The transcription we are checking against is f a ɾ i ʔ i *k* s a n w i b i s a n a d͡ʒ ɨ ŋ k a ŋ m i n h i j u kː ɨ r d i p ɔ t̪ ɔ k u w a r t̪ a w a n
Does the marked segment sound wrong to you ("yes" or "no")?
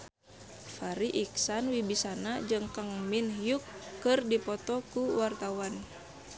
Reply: no